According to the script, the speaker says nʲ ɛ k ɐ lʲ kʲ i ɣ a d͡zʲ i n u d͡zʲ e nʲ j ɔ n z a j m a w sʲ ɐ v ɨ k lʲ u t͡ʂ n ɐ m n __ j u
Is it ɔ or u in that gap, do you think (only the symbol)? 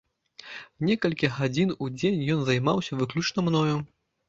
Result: ɔ